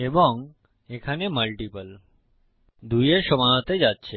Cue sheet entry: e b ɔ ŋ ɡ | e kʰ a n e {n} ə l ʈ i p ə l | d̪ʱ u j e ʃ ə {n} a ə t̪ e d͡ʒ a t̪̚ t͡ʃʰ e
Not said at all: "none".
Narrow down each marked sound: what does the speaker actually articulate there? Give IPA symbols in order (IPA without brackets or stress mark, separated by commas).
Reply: m, m